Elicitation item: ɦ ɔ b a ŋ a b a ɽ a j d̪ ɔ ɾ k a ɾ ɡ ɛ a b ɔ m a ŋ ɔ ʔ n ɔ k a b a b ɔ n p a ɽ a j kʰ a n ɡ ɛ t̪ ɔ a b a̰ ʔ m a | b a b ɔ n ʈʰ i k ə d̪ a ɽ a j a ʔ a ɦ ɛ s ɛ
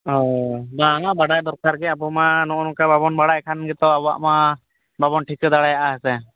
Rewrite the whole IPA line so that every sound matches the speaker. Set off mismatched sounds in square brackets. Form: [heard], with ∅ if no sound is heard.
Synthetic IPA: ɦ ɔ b a ŋ a b a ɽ a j d̪ ɔ ɾ k a ɾ ɡ ɛ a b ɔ m a [n] ɔ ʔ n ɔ k a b a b ɔ n [b] a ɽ a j kʰ a n ɡ ɛ t̪ ɔ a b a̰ ʔ m a | b a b ɔ n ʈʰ i k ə d̪ a ɽ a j a ʔ a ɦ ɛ s ɛ